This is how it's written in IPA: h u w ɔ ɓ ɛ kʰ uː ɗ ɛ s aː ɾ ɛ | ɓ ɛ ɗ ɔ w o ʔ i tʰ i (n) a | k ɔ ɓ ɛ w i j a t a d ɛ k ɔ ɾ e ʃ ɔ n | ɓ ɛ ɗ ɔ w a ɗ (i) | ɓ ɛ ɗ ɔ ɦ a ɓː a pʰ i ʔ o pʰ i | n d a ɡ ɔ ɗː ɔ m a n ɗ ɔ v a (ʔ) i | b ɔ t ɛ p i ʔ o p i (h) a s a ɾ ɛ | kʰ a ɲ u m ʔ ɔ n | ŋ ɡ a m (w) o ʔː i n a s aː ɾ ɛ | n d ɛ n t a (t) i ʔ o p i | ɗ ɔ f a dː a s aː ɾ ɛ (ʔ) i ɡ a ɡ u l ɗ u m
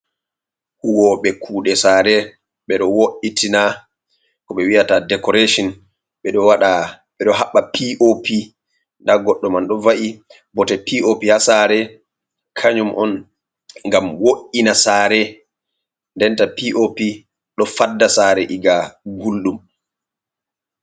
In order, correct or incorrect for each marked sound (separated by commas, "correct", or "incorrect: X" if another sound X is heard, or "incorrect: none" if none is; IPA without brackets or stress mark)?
correct, incorrect: a, correct, correct, correct, incorrect: p, correct